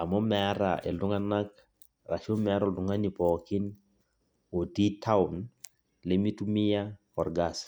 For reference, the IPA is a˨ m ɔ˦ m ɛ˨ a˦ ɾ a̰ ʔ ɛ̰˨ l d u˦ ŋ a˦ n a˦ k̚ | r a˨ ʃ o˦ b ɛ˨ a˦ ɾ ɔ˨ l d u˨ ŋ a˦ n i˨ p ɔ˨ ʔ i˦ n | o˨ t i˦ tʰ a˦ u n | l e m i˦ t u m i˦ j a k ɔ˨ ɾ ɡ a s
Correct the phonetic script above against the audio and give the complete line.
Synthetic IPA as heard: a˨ m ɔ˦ m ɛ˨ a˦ ɾ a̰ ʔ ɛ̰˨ l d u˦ ŋ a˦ n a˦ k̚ | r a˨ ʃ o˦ m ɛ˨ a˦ ɾ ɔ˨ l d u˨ ŋ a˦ n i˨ p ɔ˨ k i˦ n | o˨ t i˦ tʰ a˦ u n | l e m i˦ t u m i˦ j a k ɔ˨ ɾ ɡ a s